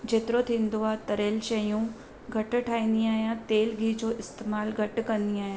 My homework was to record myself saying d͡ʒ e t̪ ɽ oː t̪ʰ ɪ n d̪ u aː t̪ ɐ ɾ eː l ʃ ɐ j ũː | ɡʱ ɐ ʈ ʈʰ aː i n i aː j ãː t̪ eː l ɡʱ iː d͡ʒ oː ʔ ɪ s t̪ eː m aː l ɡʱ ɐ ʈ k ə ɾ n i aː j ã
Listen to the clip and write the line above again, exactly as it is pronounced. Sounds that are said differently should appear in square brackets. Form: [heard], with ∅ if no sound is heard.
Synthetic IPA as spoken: d͡ʒ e t̪ [ɾ] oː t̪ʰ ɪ n d̪ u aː t̪ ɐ ɾ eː l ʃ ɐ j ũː | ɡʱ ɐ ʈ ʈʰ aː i n i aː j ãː t̪ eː l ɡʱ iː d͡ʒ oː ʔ ɪ s t̪ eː m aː l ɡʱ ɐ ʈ k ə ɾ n i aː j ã